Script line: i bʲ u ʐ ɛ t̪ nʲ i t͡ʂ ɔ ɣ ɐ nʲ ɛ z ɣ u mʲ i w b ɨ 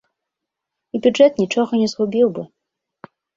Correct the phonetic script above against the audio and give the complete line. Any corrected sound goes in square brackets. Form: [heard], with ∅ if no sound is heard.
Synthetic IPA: i bʲ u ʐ ɛ t̪ nʲ i t͡ʂ ɔ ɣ ɐ nʲ ɛ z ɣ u [bʲ] i w b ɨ